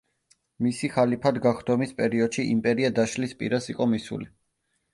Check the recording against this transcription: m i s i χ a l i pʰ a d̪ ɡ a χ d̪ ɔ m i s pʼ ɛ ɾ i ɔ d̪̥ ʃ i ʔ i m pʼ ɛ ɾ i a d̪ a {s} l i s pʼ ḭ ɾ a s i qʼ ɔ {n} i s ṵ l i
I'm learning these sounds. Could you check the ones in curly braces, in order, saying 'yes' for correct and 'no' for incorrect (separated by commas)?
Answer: no, no